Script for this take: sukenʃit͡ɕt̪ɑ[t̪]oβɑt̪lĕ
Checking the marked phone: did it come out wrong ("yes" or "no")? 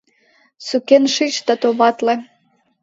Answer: no